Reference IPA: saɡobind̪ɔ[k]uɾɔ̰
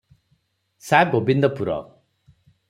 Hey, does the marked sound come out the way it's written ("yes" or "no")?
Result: no